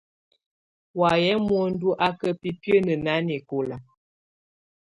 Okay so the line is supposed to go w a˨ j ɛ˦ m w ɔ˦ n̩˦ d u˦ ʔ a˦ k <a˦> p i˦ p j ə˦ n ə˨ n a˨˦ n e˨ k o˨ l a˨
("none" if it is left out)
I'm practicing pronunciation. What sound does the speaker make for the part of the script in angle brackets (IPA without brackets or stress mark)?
ə˦